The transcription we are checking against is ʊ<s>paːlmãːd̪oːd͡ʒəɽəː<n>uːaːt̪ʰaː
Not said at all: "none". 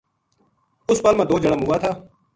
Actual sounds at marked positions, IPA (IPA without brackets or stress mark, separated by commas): s, m